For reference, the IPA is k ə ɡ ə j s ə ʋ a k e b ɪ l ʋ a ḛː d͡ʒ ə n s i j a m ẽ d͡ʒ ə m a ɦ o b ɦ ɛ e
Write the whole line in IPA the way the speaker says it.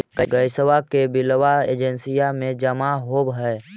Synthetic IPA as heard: k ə ɡ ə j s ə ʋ a k e b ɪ l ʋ a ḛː d͡ʒ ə n s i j a m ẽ d͡ʒ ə m a ɦ o b ɦ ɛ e